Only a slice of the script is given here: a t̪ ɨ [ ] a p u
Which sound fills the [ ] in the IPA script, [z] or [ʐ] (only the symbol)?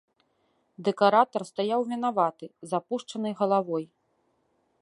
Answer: z